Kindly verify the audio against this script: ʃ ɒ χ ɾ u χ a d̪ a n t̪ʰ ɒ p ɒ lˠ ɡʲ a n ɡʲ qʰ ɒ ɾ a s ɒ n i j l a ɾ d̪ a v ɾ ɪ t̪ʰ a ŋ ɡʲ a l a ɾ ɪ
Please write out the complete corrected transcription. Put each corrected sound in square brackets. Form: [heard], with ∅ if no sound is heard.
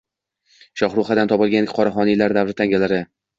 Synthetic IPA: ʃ ɒ χ ɾ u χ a d̪ a n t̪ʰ ɒ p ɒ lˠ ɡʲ a n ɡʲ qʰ ɒ ɾ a [χ] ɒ n i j l a ɾ d̪ a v ɾ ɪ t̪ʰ a ŋ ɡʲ a l a ɾ ɪ